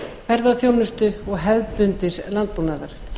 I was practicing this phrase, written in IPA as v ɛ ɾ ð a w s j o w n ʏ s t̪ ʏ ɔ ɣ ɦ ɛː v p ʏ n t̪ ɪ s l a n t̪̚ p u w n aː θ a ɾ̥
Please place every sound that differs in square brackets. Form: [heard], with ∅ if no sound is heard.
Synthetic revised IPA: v ɛ ɾ ð a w [θ] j o w n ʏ s t̪ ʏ ɔ ɣ ɦ [ɛ] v p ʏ n t̪ ɪ s l a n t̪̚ p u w n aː [ð] a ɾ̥